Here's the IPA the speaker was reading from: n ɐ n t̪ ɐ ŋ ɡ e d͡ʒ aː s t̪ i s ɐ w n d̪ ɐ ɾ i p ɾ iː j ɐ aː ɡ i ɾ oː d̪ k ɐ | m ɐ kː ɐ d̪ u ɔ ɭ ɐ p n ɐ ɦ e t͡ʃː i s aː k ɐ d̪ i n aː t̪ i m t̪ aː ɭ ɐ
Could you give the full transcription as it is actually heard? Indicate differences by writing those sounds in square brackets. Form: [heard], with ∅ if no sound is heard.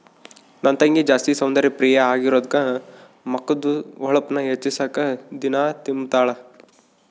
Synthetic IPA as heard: n ɐ n t̪ ɐ ŋ ɡ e d͡ʒ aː s t̪ i s ɐ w n d̪ ɐ ɾ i p ɾ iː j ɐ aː ɡ i ɾ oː d̪ k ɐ | m ɐ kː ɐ d̪ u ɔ ɭ ɐ p n ɐ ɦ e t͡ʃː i s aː k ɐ d̪ i n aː t̪ i m t̪ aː ɭ ɐ